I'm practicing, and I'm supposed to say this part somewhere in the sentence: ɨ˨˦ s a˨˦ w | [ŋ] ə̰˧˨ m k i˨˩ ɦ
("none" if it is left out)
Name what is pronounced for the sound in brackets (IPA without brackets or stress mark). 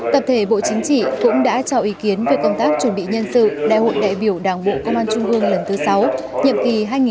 ɲ